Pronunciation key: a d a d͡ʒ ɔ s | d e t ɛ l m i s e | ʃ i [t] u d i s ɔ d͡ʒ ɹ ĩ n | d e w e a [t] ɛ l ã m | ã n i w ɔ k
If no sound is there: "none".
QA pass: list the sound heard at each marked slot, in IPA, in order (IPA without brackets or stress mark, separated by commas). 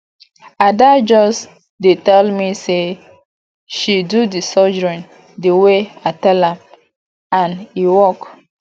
d, t